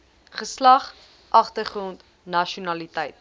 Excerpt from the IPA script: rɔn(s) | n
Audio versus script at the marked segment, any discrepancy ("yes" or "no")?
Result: yes